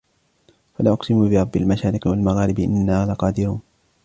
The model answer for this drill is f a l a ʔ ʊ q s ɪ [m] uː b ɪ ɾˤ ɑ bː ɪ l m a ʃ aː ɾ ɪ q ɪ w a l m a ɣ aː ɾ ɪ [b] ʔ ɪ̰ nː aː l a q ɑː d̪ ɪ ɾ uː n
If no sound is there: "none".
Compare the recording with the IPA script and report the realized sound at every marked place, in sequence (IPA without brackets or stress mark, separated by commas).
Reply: m, b